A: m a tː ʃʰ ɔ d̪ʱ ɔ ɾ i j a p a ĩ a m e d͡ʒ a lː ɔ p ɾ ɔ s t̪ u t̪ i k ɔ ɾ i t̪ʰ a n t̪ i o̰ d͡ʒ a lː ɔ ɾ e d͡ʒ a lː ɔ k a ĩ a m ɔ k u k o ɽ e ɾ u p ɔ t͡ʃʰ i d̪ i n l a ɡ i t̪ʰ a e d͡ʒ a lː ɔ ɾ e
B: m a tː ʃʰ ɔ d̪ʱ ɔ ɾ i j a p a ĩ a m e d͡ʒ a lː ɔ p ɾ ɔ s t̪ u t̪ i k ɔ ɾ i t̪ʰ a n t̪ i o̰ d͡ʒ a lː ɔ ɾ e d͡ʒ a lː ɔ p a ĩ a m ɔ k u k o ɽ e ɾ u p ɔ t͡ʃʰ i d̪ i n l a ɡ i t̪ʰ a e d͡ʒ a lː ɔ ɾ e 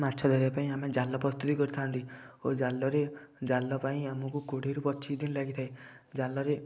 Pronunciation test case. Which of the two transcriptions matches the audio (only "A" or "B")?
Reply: B